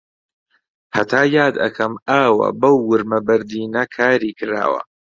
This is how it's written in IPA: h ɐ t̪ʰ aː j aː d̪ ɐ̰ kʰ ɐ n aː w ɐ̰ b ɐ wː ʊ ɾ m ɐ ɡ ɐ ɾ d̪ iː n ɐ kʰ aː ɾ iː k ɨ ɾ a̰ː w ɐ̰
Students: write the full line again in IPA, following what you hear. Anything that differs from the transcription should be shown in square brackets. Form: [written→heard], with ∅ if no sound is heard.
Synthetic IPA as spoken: h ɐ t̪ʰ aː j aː d̪ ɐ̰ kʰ ɐ [n→m] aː w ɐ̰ b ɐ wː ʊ ɾ m ɐ [ɡ→b] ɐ ɾ d̪ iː n ɐ kʰ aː ɾ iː k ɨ ɾ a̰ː w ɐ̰